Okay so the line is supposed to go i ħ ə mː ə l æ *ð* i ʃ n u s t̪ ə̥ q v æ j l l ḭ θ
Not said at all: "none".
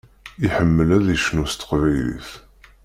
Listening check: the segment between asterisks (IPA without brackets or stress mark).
ð